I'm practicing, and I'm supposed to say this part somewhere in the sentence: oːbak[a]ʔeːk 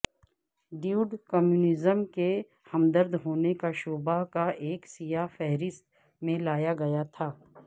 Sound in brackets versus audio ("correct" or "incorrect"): correct